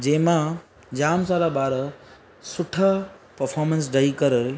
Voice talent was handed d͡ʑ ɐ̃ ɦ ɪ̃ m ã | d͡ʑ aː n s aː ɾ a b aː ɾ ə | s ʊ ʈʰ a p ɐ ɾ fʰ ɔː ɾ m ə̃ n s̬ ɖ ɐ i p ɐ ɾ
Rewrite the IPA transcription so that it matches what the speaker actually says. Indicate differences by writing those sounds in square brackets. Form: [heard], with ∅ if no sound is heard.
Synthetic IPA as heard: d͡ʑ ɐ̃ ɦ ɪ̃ m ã | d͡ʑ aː [m] s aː ɾ a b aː ɾ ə | s ʊ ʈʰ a p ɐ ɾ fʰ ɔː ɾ m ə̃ n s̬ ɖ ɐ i [k] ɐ ɾ